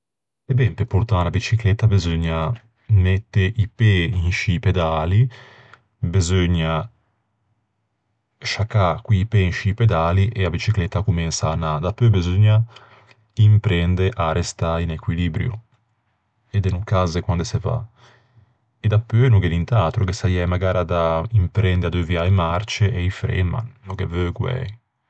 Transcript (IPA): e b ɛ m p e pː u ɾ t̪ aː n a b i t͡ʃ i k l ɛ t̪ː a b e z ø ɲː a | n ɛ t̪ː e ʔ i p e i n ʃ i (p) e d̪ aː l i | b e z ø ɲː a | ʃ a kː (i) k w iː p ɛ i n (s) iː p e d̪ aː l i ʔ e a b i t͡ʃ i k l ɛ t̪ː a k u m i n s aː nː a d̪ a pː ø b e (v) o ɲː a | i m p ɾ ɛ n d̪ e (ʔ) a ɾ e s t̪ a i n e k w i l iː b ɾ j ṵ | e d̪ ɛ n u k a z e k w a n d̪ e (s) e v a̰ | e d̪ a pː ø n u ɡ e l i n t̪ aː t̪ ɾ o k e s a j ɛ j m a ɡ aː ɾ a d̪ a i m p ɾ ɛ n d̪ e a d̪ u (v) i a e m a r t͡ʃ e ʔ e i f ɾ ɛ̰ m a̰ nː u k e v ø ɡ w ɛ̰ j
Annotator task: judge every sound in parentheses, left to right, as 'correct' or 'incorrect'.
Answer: correct, incorrect, incorrect, incorrect, correct, correct, correct

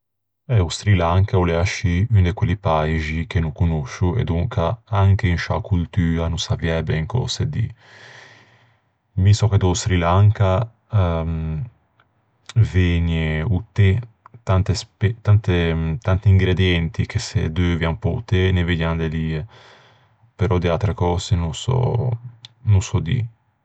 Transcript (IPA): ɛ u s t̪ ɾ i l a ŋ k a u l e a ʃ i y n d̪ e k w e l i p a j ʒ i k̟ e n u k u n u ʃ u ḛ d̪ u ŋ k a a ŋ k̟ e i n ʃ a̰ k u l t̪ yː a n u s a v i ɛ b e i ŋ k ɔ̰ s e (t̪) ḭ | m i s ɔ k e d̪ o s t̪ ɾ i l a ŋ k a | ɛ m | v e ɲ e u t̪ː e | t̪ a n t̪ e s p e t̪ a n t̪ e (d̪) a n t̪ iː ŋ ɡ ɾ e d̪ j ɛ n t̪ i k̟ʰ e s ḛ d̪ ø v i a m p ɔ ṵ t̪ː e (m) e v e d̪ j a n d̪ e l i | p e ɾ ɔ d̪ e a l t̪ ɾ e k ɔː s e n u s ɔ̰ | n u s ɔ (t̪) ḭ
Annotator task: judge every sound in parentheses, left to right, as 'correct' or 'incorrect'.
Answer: incorrect, incorrect, incorrect, incorrect

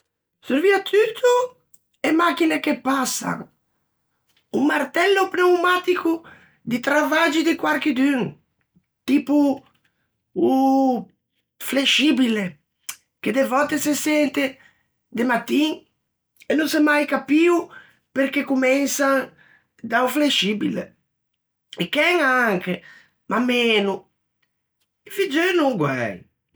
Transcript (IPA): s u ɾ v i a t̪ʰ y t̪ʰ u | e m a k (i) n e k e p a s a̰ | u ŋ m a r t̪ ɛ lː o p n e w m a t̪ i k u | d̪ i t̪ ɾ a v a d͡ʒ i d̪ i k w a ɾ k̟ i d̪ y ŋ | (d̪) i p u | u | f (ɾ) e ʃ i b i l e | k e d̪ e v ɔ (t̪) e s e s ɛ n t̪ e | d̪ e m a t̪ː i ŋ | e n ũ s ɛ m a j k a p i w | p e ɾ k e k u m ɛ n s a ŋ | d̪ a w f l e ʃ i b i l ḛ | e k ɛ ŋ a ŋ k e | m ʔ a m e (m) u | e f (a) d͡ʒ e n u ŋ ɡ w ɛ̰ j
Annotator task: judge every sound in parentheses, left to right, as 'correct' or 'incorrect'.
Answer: correct, incorrect, incorrect, correct, incorrect, incorrect

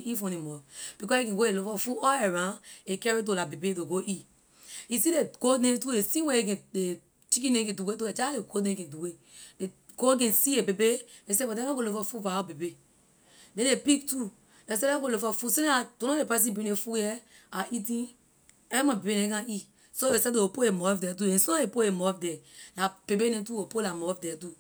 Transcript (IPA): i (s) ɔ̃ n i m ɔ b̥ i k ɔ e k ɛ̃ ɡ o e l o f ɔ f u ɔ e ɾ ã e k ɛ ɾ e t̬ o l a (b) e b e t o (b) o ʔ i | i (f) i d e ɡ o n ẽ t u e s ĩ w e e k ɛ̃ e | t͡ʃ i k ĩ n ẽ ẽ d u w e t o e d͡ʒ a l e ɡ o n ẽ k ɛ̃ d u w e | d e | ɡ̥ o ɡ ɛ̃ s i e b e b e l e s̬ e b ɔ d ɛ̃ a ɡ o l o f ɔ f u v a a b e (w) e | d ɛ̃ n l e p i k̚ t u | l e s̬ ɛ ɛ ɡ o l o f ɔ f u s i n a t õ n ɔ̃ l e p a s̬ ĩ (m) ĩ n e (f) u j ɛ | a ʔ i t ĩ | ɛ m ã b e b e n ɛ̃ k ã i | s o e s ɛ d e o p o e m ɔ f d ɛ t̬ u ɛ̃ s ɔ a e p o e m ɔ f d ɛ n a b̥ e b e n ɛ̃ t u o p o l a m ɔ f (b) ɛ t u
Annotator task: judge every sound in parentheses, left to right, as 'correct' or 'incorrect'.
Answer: incorrect, correct, incorrect, incorrect, incorrect, incorrect, correct, incorrect

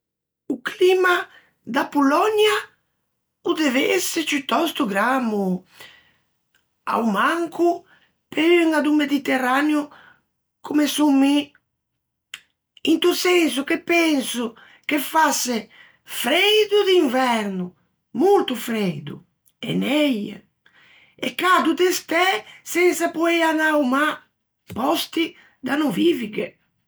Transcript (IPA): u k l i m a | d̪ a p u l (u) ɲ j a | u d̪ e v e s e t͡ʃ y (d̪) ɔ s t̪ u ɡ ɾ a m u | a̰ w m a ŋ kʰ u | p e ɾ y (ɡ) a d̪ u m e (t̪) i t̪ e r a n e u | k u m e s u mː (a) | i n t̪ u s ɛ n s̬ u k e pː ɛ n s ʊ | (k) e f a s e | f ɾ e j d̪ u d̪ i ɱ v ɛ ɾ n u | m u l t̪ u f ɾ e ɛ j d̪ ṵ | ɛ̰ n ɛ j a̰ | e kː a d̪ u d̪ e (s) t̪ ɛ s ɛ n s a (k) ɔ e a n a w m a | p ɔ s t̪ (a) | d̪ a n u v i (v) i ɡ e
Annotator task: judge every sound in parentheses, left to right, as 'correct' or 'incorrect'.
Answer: incorrect, incorrect, incorrect, incorrect, incorrect, correct, correct, incorrect, incorrect, correct

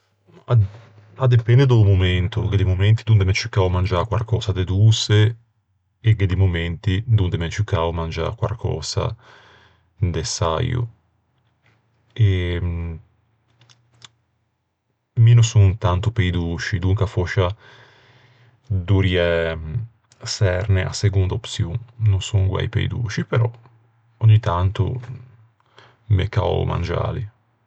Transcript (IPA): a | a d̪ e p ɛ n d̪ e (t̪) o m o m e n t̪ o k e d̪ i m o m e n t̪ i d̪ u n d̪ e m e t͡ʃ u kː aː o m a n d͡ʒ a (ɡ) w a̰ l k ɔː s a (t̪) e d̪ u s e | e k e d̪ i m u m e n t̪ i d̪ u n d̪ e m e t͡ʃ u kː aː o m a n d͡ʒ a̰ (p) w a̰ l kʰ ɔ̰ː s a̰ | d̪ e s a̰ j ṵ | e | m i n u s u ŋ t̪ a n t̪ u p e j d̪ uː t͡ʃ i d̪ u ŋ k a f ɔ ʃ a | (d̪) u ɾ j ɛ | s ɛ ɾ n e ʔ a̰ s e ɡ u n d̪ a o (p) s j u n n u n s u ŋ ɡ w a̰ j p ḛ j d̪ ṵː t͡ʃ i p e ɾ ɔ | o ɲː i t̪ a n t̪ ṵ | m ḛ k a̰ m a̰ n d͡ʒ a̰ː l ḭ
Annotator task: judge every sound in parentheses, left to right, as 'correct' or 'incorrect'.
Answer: incorrect, incorrect, incorrect, incorrect, correct, correct

